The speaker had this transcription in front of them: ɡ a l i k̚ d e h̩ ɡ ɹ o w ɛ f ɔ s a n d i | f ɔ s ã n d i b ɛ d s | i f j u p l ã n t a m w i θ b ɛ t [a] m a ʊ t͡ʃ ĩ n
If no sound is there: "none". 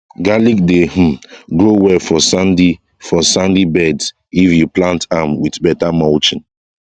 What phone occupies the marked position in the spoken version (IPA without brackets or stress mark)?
a